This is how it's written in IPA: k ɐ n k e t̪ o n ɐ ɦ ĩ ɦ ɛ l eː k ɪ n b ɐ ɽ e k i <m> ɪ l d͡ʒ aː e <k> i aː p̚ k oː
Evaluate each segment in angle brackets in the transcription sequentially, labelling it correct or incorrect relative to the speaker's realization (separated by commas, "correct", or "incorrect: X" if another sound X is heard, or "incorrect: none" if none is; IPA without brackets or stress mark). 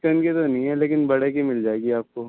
correct, incorrect: ɡ